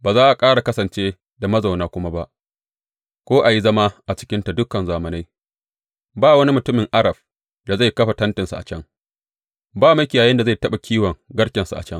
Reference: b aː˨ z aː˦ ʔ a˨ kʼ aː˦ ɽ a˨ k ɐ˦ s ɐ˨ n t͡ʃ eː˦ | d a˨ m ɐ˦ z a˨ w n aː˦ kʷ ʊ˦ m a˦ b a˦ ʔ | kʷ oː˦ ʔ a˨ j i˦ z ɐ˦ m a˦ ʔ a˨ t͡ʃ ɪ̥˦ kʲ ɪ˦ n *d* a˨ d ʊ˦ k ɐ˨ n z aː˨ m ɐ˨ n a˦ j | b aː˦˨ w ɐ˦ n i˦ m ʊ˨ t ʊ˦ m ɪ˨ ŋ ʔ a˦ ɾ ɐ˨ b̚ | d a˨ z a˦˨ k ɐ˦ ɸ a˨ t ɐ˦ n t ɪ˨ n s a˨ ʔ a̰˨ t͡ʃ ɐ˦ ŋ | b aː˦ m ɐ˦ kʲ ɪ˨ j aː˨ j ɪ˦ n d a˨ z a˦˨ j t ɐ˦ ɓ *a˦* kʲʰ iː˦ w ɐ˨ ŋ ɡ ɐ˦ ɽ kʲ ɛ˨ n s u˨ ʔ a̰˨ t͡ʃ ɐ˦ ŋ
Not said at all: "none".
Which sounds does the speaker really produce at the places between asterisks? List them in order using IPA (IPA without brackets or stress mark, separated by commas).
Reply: t, a˨